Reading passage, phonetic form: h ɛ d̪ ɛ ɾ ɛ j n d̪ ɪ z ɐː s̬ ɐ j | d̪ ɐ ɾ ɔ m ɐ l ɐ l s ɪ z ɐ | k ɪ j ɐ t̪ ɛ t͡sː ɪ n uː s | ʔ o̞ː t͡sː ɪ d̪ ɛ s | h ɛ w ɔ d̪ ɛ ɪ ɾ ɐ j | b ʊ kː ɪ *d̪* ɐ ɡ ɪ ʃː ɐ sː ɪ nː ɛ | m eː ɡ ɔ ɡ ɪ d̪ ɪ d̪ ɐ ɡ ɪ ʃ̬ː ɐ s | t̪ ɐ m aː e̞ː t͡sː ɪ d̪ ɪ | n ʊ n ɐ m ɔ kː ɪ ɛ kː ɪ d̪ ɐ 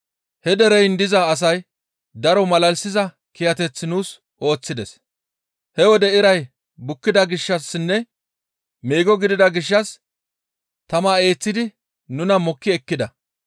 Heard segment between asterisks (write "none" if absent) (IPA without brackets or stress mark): d̪